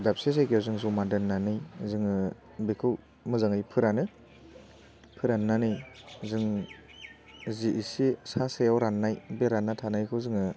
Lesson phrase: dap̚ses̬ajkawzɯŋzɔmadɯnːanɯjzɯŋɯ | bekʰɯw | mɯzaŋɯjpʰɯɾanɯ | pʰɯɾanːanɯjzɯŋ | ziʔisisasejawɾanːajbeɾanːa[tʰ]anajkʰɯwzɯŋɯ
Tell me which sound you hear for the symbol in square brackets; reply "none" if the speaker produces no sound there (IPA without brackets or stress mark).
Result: tʰ